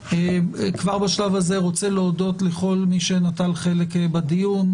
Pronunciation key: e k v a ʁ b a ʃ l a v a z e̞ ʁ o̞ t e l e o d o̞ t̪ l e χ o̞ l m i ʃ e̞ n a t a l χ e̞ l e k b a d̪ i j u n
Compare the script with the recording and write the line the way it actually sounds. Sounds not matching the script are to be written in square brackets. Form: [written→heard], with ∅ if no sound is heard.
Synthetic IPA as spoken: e k v a ʁ b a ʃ l a v a z e̞ ʁ o̞ [t→t͡s] e l e o d o̞ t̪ l e χ o̞ l m i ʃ e̞ n a t a l χ e̞ l e k b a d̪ i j u n

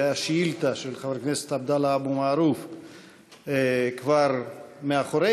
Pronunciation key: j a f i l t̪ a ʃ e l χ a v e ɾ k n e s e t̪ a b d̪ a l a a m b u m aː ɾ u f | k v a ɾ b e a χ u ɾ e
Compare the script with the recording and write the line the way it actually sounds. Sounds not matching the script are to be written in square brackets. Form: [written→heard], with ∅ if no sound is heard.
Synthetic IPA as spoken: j a [f→ʃ] i l t̪ a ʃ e l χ a v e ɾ k n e s e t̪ a b d̪ a l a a [m→∅] b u m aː ɾ u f | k v a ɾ [b→m] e a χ [u→o] ɾ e

